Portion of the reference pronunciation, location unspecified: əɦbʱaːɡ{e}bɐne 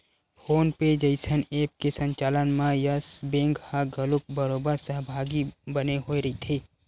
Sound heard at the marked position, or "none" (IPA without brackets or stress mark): i